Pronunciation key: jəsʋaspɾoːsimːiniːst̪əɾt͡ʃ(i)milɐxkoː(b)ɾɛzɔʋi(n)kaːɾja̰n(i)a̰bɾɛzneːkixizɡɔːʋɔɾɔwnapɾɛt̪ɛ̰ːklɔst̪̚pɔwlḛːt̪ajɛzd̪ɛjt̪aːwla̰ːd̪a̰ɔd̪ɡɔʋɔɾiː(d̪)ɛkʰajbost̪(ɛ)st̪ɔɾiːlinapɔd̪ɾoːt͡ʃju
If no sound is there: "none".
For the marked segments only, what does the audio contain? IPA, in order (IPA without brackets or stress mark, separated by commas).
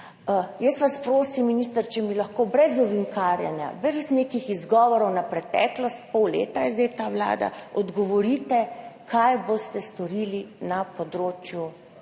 ɛ, b, ŋ, j, t̪, ɛ